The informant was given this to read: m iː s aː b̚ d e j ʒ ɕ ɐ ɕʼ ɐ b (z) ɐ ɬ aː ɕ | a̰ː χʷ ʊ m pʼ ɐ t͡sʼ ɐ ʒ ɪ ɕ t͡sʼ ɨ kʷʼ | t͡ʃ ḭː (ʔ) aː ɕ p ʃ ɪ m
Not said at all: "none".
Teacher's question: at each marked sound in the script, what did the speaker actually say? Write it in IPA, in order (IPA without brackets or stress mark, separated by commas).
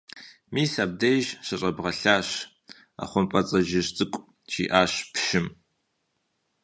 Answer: ʁ, ʔ